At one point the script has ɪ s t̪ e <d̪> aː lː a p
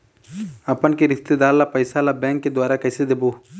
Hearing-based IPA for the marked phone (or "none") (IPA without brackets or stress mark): d̪